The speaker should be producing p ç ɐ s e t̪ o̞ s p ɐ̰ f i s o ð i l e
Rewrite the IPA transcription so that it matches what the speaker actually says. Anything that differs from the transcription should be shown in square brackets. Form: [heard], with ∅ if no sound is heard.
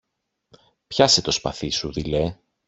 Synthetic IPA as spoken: p ç ɐ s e t̪ o̞ s p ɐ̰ [θ] i s [u] ð i l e